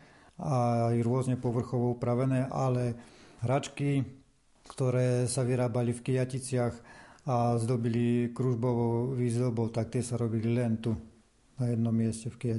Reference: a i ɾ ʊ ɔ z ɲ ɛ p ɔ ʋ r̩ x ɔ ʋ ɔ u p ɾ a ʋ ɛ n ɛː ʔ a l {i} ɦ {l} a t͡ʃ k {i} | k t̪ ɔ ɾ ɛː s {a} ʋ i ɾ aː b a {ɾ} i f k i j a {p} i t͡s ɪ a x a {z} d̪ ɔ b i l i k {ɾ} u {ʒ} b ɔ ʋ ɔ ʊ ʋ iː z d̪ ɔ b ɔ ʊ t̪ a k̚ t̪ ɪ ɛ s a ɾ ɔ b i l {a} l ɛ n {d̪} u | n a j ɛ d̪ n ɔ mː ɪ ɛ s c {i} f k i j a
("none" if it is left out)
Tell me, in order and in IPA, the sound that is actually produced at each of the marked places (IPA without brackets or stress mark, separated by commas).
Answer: ɛ, ɾ, i, a, l, c, z, ɾ, ʒ, i, t̪, ɛ